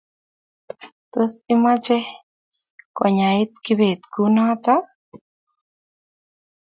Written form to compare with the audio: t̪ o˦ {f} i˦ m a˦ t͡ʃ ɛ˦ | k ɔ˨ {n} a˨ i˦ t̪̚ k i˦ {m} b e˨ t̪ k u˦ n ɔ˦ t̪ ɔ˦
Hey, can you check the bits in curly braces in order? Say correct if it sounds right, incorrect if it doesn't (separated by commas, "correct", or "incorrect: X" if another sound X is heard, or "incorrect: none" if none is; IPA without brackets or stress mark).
incorrect: s, incorrect: ɲ, incorrect: none